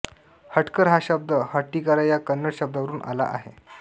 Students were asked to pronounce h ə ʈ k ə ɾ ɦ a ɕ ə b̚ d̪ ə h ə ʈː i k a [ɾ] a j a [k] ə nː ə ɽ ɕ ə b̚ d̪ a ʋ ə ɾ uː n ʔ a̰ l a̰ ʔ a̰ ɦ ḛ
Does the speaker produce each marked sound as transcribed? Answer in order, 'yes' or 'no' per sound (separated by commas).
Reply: yes, yes